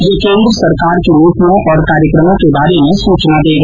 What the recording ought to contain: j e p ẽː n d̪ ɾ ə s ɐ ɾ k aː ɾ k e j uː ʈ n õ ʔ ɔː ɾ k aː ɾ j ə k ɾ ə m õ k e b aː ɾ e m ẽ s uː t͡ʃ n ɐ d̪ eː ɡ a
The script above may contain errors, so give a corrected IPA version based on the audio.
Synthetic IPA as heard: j e k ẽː n d̪ ɾ ə s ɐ ɾ k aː ɾ k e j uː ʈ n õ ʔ ɔː ɾ k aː ɾ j ə k ɾ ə m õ k e b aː ɾ e m ẽ s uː t͡ʃ n a d̪ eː ɡ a